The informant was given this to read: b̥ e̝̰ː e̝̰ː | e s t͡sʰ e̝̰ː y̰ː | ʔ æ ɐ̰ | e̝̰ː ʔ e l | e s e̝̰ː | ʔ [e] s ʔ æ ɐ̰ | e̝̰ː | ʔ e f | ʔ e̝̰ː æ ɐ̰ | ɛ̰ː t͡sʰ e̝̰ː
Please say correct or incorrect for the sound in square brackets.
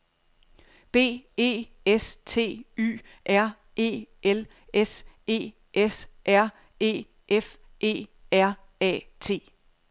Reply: correct